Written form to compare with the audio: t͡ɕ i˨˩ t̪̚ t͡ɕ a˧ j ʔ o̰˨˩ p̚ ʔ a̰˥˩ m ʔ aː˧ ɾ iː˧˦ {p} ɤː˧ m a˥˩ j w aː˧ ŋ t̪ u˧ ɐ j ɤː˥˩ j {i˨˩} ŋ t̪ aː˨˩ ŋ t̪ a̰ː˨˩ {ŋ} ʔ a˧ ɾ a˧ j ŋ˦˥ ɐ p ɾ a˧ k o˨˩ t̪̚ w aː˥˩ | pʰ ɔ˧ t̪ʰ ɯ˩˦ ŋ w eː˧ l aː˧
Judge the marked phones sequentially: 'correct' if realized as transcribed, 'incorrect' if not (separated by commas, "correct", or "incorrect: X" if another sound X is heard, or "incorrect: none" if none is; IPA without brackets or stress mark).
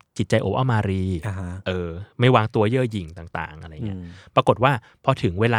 incorrect: ʔ, correct, correct